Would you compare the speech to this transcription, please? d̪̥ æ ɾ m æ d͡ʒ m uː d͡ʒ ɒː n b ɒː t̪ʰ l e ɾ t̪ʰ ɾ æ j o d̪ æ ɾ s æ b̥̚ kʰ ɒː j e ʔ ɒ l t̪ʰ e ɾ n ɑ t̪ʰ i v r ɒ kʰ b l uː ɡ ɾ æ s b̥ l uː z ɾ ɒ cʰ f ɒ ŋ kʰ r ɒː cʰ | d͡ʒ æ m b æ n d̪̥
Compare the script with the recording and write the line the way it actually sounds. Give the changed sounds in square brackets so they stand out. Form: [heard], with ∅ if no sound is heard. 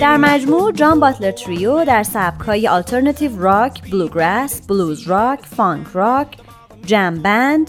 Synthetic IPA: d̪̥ æ ɾ m æ d͡ʒ m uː d͡ʒ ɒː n b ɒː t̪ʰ l e ɾ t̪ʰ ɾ [i] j o d̪ æ ɾ s æ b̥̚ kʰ ɒː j e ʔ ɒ l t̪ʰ e ɾ n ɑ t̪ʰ i v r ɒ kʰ b l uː ɡ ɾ æ s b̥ l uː z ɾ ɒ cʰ f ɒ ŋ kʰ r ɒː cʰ | d͡ʒ æ m b æ n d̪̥